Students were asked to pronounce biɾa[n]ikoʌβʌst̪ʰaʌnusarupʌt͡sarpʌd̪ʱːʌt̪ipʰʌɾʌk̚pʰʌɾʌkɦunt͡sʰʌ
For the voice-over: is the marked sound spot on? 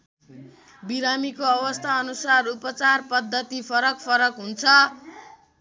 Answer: no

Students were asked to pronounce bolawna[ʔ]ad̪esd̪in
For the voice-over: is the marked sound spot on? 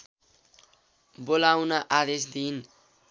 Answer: yes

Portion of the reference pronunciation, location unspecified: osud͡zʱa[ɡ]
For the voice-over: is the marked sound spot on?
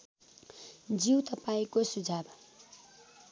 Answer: no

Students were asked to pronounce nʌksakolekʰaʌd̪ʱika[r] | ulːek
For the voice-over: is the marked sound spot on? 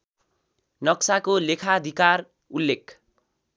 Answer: yes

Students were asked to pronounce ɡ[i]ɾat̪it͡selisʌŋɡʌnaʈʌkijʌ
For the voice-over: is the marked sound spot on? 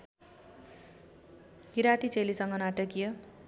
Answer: yes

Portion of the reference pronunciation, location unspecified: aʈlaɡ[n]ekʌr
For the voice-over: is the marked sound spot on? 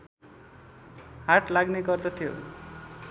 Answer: yes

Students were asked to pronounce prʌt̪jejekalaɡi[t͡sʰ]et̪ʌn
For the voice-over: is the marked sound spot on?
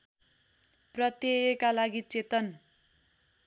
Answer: no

